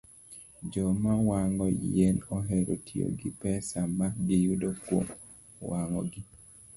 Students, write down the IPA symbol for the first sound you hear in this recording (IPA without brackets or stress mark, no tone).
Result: d͡ʒ